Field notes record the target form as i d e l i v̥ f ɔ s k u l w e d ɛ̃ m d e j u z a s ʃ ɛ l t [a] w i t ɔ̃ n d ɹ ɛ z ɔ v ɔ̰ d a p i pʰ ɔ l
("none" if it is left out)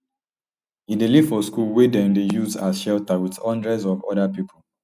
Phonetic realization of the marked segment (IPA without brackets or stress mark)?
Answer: a